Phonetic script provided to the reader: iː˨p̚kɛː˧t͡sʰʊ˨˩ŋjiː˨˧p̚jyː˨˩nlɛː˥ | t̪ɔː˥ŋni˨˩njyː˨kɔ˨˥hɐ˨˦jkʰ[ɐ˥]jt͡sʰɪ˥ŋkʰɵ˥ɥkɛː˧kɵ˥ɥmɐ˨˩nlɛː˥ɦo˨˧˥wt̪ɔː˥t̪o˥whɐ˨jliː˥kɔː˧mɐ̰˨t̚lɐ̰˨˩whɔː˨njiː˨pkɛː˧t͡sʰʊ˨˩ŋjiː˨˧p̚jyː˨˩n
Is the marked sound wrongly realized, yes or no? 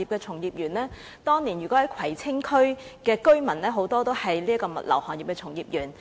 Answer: yes